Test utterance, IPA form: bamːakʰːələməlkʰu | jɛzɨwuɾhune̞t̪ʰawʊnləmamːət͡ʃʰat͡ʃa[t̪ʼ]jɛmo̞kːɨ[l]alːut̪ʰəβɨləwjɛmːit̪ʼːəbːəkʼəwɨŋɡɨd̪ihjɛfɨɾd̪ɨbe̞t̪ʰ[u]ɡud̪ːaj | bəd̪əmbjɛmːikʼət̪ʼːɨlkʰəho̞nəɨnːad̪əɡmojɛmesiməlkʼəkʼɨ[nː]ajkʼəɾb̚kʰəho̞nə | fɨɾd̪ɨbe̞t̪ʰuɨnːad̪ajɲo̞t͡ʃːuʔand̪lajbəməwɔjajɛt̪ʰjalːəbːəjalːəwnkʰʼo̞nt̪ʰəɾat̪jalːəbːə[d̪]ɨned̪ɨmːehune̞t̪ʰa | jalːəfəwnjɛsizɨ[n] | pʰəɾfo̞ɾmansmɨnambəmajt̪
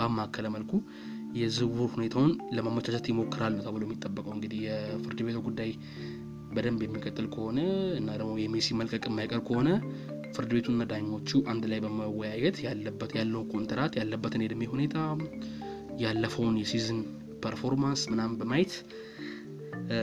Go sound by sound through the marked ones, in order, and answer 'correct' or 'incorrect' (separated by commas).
incorrect, incorrect, correct, incorrect, incorrect, correct